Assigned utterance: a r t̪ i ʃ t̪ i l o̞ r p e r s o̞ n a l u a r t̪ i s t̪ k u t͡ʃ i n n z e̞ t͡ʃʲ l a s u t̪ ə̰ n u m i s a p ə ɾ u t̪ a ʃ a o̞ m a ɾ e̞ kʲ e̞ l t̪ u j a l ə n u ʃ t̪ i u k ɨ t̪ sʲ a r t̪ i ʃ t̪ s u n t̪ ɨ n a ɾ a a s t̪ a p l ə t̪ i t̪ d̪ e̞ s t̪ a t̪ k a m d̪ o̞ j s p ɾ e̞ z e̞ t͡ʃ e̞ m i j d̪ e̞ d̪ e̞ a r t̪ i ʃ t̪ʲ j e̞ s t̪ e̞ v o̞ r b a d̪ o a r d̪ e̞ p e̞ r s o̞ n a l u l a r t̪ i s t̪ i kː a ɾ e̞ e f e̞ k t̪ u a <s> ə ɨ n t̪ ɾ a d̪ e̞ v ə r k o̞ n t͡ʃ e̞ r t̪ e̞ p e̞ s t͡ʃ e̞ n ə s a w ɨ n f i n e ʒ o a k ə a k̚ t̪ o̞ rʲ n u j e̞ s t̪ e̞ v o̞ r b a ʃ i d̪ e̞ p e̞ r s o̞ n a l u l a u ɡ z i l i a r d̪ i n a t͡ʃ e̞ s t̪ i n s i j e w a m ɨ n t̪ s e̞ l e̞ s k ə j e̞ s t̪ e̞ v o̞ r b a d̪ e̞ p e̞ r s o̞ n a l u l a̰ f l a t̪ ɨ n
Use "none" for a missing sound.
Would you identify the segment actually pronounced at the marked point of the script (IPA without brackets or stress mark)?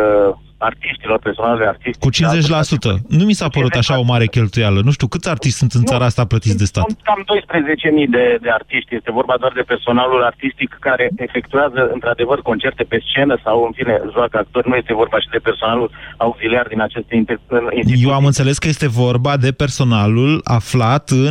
z